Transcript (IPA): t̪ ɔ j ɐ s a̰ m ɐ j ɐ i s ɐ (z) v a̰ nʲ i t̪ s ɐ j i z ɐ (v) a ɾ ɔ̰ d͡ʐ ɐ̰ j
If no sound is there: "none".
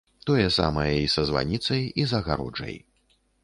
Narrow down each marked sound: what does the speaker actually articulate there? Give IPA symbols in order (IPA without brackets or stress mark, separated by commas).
z, ɣ